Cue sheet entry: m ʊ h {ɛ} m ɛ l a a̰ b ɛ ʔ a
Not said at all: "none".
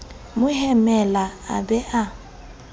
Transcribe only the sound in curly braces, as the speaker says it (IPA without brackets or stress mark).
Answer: ɛ